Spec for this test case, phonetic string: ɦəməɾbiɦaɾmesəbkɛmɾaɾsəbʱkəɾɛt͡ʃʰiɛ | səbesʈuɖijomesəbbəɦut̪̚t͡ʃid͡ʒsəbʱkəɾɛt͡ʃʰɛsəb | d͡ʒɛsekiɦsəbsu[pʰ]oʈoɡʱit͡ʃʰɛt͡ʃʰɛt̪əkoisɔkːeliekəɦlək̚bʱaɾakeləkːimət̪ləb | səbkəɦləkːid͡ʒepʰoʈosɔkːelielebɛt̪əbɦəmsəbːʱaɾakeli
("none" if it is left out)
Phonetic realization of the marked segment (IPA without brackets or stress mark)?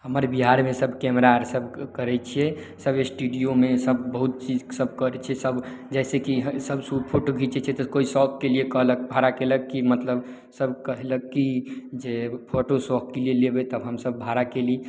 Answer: pʰ